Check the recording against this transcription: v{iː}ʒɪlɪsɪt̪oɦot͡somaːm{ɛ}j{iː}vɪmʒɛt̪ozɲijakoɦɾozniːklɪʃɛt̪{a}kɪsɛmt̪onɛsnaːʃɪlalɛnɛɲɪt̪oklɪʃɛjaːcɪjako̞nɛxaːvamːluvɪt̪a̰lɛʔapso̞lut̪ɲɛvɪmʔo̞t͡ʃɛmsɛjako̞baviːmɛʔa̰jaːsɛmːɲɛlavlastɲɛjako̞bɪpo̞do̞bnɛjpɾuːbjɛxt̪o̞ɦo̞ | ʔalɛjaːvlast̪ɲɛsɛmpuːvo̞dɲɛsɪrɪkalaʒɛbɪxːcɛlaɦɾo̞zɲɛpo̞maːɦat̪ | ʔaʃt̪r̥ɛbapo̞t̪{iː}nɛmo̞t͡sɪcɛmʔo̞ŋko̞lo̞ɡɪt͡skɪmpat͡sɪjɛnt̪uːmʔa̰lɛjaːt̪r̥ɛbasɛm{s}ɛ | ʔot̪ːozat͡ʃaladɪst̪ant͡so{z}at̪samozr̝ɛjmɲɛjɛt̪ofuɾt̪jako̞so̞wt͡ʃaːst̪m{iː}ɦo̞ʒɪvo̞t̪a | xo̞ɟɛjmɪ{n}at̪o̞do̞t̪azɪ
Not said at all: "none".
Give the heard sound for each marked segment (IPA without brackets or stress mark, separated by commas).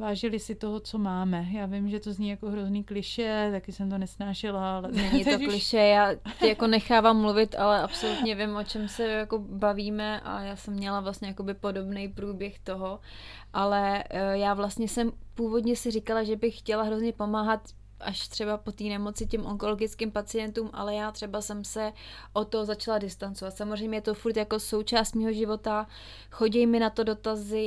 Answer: aː, ɛ, aː, a, iː, s, v, iː, n